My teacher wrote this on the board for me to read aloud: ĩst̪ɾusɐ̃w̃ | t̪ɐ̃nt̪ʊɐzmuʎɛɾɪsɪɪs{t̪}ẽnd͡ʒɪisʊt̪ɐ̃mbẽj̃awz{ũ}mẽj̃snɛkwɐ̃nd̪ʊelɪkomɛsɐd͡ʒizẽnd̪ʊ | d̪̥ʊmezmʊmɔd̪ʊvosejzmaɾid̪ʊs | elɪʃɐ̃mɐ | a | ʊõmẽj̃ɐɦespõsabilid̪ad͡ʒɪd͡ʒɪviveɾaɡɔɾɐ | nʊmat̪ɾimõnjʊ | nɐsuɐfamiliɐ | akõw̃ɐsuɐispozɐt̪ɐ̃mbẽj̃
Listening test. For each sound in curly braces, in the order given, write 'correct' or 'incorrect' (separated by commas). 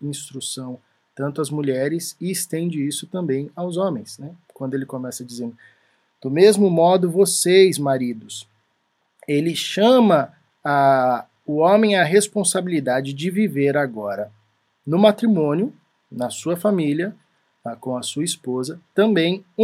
correct, incorrect